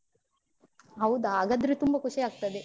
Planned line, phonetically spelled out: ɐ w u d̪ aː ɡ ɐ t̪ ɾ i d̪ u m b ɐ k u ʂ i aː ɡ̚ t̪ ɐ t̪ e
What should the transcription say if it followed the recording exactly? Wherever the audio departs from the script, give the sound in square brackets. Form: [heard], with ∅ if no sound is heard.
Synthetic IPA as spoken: ɐ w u d̪ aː ɡ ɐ [d̪] ɾ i [t̪] u m b ɐ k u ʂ i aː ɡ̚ t̪ ɐ [d̪] e